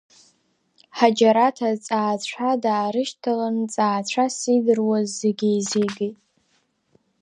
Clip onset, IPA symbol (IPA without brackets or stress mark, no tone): ħ